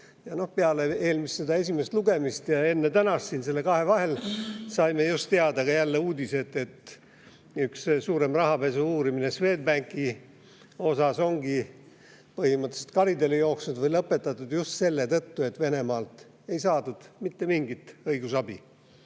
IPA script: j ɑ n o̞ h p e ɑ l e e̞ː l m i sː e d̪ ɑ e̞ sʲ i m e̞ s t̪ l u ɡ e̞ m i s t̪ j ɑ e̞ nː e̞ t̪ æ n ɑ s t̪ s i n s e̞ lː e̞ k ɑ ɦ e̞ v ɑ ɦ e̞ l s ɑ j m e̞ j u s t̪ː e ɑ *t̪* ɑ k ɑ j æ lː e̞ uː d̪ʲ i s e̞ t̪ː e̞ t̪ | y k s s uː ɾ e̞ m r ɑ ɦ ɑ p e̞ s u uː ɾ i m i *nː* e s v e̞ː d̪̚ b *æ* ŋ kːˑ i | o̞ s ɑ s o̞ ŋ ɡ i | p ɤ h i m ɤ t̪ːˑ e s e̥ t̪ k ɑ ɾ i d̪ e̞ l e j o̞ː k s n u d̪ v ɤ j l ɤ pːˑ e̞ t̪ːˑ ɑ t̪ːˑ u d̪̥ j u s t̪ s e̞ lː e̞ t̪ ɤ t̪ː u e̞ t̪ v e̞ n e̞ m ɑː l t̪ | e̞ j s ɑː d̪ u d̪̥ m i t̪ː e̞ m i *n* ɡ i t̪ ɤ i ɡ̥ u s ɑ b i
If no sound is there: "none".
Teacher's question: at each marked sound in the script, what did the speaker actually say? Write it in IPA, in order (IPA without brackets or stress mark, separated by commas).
d̪, n, æ, ŋ